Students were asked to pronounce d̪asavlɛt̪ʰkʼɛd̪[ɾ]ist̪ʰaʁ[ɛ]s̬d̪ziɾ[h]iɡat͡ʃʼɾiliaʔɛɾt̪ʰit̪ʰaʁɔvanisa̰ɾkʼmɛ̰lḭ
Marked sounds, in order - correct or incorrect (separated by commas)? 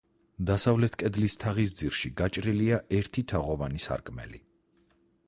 incorrect, incorrect, incorrect